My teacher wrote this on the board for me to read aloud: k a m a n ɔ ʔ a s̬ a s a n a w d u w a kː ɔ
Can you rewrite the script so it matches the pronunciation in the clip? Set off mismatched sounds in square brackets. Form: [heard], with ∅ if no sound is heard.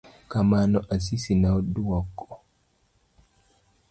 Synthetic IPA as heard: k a m a n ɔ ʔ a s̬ [i] s [i] n a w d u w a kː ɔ